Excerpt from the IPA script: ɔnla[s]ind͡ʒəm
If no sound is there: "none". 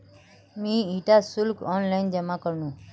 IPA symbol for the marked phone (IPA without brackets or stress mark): none